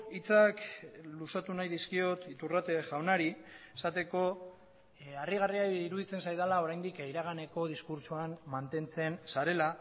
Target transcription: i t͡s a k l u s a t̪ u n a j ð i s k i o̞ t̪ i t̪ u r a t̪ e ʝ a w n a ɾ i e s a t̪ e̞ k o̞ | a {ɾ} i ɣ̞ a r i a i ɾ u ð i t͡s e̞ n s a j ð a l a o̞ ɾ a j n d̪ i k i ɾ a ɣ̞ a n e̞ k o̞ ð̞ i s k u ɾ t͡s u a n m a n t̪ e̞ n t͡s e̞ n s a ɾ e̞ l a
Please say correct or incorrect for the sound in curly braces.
incorrect